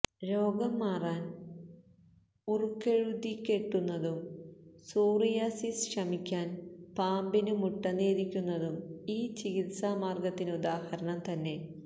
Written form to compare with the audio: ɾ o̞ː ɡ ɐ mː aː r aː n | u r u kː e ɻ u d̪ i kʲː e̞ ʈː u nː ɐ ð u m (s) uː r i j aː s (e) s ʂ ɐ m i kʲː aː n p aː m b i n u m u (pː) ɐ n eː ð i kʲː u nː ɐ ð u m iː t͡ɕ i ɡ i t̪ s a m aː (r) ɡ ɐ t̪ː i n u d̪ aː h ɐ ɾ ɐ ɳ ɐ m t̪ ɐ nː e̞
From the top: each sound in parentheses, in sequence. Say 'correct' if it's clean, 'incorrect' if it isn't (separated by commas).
correct, incorrect, incorrect, correct